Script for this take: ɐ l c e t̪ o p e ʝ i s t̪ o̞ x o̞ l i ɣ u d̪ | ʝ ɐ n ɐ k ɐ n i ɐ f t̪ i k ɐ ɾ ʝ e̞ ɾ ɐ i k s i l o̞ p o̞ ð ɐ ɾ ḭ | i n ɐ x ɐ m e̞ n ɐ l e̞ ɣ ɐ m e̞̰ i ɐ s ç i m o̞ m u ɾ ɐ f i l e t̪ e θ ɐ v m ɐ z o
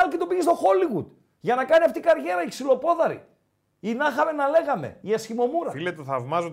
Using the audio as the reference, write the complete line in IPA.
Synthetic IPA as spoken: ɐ l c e t̪ o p i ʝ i s t̪ o̞ x o̞ l i ɣ u d̪ | ʝ ɐ n ɐ k ɐ n i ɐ f t̪ i k ɐ ɾ ʝ e̞ ɾ ɐ i k s i l o̞ p o̞ ð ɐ ɾ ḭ | i n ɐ x ɐ m e̞ n ɐ l e̞ ɣ ɐ m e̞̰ i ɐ s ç i m o̞ m u ɾ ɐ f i l e t̪ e θ ɐ v m ɐ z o